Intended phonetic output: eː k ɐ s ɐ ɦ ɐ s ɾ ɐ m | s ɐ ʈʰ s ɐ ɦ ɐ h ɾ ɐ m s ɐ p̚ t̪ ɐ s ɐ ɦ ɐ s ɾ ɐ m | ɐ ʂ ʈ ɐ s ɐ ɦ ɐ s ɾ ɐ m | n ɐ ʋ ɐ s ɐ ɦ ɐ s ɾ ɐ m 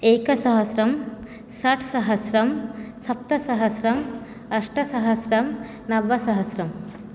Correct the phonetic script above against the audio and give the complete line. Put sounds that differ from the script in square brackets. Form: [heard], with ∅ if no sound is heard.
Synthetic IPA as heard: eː k ɐ s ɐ ɦ ɐ s ɾ ɐ m | s ɐ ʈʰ s ɐ ɦ ɐ [s] ɾ ɐ m s ɐ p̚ t̪ ɐ s ɐ ɦ ɐ s ɾ ɐ m | ɐ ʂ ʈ ɐ s ɐ ɦ ɐ s ɾ ɐ m | n ɐ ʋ ɐ s ɐ ɦ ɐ s ɾ ɐ m